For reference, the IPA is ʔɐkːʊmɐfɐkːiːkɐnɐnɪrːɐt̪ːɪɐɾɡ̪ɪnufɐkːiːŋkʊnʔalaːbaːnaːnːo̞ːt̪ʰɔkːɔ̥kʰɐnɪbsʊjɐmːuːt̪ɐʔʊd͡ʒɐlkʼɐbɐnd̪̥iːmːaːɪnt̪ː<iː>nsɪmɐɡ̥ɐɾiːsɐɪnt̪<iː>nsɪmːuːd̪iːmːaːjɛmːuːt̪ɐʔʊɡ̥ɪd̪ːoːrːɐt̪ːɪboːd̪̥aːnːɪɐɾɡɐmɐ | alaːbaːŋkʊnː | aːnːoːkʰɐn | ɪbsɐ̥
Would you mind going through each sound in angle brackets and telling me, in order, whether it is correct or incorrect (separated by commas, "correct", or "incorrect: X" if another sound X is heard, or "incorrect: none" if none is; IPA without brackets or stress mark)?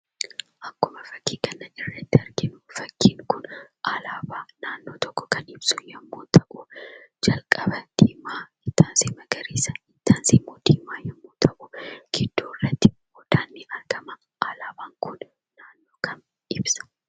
incorrect: aː, incorrect: aː